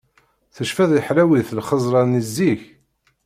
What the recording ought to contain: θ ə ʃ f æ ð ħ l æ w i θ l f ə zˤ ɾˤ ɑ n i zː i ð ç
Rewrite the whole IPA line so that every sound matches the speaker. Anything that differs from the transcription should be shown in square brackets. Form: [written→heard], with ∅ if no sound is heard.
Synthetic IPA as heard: θ ə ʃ f æ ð ħ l æ w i θ l [f→χ] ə zˤ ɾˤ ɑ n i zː i [ð→∅] ç